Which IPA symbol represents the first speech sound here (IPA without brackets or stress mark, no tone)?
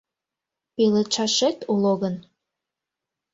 p